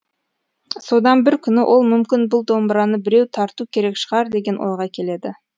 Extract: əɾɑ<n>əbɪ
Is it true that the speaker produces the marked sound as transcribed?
yes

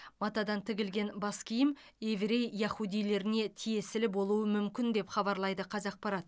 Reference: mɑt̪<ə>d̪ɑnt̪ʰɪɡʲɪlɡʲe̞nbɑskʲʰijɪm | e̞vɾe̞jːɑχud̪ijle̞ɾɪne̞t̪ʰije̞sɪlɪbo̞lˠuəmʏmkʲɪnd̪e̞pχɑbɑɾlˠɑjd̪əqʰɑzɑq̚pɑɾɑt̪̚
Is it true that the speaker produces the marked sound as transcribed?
no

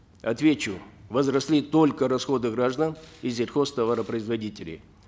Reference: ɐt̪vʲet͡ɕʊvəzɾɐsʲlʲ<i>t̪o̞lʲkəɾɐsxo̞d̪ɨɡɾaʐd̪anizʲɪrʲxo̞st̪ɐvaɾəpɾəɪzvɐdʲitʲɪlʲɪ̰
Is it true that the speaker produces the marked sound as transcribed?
yes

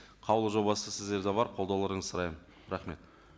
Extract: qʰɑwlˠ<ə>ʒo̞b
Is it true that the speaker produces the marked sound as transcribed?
yes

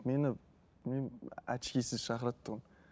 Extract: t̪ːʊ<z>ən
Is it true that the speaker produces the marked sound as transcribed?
no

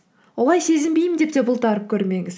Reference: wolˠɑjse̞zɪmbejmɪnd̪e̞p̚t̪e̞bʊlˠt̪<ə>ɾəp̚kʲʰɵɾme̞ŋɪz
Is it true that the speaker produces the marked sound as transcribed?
no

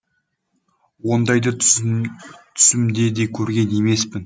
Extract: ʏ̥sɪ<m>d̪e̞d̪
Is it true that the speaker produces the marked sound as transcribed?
yes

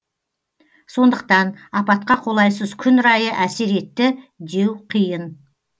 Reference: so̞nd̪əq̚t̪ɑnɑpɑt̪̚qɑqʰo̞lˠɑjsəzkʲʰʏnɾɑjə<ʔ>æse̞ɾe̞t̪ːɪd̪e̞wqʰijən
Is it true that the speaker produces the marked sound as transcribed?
yes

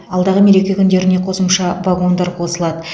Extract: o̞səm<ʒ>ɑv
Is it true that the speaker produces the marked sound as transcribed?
no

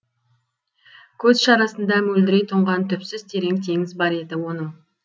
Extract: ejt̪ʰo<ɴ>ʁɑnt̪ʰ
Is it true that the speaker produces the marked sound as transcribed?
yes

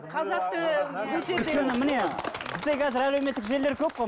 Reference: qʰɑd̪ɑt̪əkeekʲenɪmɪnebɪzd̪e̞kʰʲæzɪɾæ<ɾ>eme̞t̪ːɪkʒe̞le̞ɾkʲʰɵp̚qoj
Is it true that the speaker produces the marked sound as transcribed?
no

